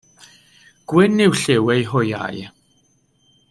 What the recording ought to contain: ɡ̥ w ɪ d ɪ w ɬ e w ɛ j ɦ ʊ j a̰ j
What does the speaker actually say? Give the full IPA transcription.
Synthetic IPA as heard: ɡ̥ w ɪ n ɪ w ɬ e w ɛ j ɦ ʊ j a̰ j